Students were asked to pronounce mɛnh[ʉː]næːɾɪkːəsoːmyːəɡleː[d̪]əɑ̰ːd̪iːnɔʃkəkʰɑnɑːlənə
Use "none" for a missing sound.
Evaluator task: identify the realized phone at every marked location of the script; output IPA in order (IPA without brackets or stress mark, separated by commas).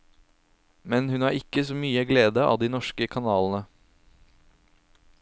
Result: ʉ, d̪